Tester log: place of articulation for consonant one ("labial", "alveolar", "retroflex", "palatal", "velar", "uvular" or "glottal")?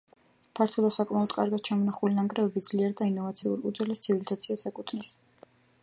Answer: labial